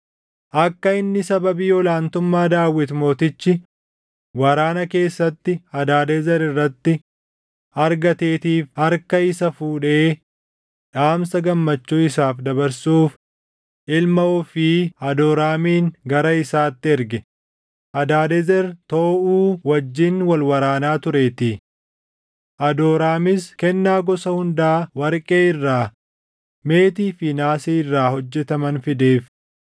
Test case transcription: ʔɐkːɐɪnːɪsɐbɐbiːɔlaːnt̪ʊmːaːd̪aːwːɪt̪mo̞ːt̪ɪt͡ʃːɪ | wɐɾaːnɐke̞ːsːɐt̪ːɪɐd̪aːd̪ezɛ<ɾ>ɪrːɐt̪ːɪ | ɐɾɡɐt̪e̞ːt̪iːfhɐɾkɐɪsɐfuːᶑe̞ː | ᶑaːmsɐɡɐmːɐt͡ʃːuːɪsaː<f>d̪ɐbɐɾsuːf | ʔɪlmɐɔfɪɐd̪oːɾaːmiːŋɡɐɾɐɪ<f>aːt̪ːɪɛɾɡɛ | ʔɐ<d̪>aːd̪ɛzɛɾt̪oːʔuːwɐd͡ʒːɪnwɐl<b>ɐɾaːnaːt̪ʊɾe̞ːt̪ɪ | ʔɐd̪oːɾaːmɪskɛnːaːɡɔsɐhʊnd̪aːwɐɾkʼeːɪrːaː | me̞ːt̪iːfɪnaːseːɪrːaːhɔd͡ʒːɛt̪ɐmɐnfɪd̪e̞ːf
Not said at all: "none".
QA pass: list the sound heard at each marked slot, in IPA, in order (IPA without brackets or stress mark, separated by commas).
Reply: ɾ, f, s, d̪, w